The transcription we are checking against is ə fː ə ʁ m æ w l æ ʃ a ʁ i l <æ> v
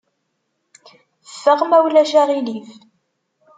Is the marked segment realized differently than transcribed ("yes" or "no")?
yes